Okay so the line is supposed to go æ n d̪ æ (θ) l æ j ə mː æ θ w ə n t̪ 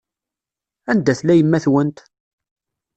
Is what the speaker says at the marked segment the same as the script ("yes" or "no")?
yes